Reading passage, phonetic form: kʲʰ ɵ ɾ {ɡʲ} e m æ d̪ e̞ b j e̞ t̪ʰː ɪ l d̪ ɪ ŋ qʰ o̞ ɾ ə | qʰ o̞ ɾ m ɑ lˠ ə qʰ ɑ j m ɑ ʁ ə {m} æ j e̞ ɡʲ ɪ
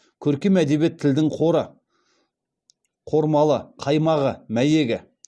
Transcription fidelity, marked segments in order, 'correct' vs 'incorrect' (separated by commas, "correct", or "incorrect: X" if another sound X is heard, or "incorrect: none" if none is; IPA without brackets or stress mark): incorrect: kʲ, correct